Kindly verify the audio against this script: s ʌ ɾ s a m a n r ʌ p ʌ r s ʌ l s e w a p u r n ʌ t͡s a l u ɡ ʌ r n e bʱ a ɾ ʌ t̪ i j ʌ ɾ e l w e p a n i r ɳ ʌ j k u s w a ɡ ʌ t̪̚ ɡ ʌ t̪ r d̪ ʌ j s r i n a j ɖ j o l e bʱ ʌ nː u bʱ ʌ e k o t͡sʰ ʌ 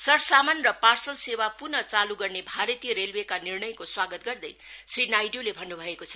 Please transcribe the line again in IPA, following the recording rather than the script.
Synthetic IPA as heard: s ʌ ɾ s a m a n r ʌ p a r s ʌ l s e w a p u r n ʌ t͡s a l u ɡ ʌ r n e bʱ a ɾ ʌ t̪ i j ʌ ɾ e l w e k a n i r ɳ ʌ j k o s w a ɡ ʌ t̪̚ ɡ ʌ r d̪ ʌ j s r i n a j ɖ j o l e bʱ ʌ nː u bʱ ʌ e k o t͡sʰ ʌ

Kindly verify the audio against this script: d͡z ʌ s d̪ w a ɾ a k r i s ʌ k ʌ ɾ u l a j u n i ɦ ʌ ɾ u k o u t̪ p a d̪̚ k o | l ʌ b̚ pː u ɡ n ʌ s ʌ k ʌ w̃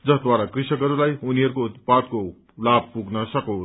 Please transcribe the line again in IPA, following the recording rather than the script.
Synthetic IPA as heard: d͡z ʌ s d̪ w a ɾ a k r i s ʌ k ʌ ɾ u l a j u n i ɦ ʌ ɾ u k o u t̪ p a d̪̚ k o | l a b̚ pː u ɡ n ʌ s ʌ k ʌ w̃

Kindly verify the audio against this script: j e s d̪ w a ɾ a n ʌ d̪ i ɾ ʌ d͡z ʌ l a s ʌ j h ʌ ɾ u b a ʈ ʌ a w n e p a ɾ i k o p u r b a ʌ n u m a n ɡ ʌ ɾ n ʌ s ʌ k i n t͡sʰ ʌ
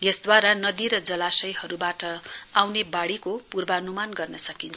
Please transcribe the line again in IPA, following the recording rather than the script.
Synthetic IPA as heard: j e s d̪ w a ɾ a n ʌ d̪ i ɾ ʌ d͡z ʌ l a s ʌ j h ʌ ɾ u b a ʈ ʌ a w n e b a ɽ i k o p u r b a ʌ n u m a n ɡ ʌ r n ʌ s ʌ k i n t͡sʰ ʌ

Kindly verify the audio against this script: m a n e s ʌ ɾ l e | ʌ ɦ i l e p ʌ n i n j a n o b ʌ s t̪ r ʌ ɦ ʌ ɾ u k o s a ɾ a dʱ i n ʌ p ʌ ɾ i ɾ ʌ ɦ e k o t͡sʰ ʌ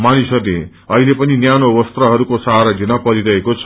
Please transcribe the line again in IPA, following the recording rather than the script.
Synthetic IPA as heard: m a n i s ʌ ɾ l e | ʌ ɦ i l e p ʌ n i n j a n o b ʌ s t̪ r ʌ ɦ ʌ ɾ u k o s a ɾ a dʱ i n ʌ p ʌ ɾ i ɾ ʌ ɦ e k o t͡sʰ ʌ

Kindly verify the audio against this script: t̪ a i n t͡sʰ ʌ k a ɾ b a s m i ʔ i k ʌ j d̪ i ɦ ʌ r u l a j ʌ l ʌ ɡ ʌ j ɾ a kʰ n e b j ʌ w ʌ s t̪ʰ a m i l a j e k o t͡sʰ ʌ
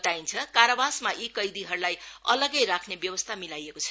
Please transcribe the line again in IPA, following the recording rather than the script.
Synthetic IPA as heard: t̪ a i n t͡sʰ ʌ k a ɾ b a s m a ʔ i k ʌ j d̪ i ɦ ʌ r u l a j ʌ l ʌ ɡ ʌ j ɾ a kʰ n e b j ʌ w ʌ s t̪ʰ a m i l a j e k o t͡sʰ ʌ

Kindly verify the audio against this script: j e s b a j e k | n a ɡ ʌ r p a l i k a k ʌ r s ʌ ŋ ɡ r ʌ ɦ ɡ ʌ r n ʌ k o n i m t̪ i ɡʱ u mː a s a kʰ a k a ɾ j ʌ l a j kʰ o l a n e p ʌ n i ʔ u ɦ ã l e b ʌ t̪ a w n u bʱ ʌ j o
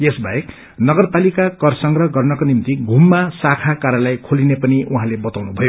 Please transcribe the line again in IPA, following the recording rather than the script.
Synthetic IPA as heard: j e s b a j e k | n ʌ ɡ ʌ r p a l i k a k ʌ r s ʌ ŋ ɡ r ʌ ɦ ɡ ʌ r n ʌ k o n i m t̪ i ɡʱ u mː a s a kʰ a k a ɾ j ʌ l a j kʰ o l i n e p ʌ n i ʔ u ɦ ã l e b ʌ t̪ a w n u bʱ ʌ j o

